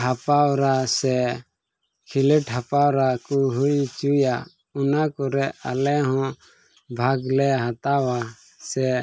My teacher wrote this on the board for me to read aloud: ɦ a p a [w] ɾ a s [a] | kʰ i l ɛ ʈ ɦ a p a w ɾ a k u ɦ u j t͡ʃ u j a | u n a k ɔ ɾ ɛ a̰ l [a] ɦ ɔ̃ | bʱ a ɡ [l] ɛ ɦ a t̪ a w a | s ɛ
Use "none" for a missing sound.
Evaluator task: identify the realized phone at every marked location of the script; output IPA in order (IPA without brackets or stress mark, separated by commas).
w, ɛ, ɛ, l